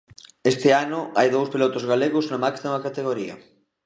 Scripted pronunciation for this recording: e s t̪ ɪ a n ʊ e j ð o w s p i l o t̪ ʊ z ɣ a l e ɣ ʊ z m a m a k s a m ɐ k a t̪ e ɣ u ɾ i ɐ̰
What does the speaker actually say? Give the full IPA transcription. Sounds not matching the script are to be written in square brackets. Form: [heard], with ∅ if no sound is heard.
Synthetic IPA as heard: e s t̪ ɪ a n ʊ [a] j ð o w s p i l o t̪ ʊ z ɣ a l e ɣ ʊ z [n] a m a k s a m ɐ k a t̪ e ɣ [o] ɾ i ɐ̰